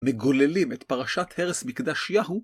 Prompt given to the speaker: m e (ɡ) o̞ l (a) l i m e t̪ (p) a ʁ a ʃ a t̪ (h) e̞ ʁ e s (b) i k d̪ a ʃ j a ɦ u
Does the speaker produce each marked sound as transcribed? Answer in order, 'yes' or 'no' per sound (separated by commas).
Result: yes, no, yes, yes, no